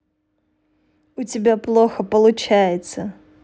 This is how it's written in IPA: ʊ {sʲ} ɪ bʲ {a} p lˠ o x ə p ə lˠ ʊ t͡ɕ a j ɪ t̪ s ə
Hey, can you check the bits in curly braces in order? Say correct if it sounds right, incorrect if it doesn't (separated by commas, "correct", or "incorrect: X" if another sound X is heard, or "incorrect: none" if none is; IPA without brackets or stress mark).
incorrect: tʲ, correct